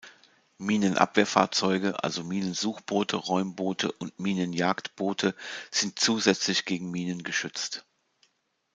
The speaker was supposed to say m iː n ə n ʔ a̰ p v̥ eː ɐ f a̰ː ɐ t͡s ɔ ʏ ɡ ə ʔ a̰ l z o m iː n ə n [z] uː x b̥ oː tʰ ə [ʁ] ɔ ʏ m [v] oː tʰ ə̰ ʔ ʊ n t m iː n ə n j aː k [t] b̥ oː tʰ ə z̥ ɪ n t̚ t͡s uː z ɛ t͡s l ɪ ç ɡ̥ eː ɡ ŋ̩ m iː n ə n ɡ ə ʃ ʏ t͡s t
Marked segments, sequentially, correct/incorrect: correct, correct, incorrect, correct

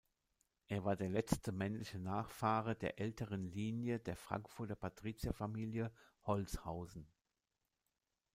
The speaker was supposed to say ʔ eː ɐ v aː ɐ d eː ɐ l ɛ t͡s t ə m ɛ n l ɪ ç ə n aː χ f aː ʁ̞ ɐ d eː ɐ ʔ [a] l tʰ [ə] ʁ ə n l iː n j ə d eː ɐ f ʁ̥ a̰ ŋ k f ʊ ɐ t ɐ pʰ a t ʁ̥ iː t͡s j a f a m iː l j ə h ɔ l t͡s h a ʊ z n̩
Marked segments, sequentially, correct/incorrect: incorrect, correct

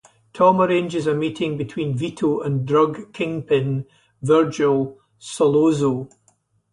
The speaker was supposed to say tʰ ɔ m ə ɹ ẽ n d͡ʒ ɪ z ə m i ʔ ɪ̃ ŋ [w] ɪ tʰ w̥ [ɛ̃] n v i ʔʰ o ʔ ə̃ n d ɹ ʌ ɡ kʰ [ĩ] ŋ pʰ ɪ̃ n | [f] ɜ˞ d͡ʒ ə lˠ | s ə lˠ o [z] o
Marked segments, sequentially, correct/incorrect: incorrect, incorrect, incorrect, incorrect, correct

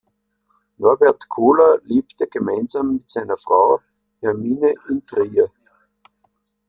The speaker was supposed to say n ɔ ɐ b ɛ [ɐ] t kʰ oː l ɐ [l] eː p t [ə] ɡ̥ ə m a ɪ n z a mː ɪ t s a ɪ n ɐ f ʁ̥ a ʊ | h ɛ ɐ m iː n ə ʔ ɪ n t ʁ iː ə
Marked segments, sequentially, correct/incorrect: correct, correct, correct

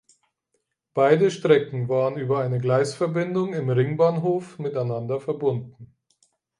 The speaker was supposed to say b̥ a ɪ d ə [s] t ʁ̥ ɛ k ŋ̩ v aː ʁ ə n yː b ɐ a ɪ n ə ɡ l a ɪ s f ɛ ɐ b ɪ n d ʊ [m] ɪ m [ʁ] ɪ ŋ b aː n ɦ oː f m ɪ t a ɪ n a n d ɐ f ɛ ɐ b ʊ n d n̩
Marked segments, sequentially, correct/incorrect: incorrect, incorrect, correct

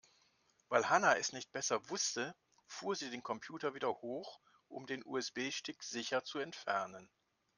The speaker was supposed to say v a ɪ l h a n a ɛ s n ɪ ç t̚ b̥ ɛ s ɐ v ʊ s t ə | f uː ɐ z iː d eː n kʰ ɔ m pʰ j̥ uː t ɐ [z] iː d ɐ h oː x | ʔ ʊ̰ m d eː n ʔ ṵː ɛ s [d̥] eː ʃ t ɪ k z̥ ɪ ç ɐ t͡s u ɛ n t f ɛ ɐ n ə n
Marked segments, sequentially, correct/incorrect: incorrect, incorrect

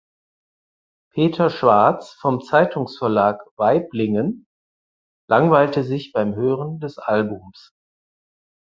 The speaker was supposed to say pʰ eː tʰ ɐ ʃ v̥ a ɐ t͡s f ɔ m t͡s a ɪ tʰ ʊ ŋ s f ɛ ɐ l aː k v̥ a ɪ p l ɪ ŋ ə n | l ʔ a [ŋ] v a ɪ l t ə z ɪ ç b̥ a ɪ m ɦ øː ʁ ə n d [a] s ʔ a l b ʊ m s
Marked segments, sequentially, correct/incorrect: correct, incorrect

